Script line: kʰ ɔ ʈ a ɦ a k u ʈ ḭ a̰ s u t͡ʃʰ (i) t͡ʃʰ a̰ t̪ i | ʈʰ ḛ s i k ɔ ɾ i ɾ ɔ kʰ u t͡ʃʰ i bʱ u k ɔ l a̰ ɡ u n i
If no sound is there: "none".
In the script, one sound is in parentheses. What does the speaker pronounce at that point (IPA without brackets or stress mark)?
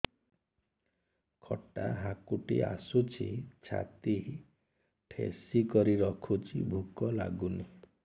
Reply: i